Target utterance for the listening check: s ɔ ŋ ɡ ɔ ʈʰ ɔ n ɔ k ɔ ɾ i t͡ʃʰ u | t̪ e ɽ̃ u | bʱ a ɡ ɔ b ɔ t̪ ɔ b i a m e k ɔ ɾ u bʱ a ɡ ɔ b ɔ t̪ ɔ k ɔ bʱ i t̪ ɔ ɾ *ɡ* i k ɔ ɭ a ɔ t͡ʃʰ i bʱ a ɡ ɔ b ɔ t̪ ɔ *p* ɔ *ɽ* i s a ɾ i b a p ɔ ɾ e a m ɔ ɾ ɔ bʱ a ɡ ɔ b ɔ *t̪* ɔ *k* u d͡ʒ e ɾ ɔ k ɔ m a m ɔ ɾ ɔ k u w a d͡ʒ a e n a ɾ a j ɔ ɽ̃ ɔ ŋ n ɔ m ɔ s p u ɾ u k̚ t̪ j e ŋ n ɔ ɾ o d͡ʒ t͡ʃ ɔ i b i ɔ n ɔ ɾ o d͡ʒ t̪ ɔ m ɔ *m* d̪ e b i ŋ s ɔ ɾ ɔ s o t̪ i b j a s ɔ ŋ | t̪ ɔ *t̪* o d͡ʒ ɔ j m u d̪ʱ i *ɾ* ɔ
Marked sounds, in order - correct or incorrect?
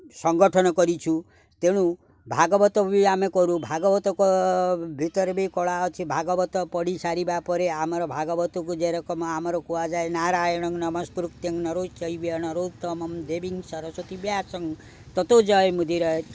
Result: incorrect: b, correct, correct, correct, correct, correct, correct, correct

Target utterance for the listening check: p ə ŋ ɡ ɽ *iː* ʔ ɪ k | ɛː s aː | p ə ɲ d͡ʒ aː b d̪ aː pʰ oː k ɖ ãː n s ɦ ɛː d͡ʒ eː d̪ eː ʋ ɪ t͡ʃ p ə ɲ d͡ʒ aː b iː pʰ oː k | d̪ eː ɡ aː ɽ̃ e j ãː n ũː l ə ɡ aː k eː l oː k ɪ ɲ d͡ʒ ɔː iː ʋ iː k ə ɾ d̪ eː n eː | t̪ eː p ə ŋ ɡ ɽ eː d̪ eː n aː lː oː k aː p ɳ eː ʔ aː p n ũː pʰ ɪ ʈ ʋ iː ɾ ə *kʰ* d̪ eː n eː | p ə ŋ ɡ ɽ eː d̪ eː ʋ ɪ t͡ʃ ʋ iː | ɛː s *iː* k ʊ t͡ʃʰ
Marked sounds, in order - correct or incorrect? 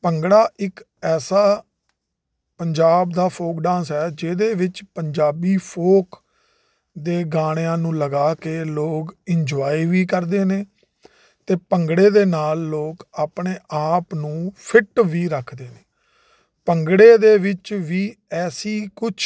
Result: incorrect: aː, correct, correct

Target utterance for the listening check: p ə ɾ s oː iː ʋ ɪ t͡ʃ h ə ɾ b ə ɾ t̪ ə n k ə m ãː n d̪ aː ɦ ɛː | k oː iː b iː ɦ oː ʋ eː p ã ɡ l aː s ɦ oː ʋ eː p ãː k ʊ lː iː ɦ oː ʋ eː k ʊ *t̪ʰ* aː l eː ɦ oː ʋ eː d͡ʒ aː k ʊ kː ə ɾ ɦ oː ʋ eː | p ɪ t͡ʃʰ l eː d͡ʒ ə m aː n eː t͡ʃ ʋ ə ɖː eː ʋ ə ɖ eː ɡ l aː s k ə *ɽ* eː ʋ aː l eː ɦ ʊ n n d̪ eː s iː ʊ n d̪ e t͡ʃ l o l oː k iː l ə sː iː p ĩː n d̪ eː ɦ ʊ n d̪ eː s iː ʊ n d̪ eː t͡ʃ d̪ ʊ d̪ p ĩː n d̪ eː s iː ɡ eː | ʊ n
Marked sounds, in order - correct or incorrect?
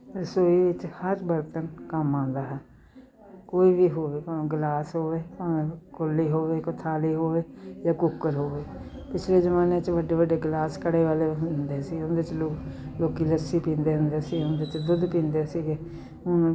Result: correct, correct

